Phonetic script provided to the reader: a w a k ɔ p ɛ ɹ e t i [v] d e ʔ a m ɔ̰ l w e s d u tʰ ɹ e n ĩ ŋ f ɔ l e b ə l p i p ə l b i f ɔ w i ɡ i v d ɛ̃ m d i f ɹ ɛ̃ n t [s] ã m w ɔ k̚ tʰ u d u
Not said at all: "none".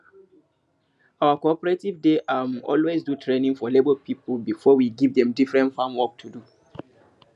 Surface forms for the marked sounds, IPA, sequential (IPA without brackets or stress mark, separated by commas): v, f